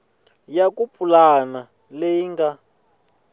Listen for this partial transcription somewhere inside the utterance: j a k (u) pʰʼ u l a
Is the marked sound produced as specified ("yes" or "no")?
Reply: yes